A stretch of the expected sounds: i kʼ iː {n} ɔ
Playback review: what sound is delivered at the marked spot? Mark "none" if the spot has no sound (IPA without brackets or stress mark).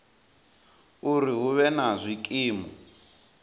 m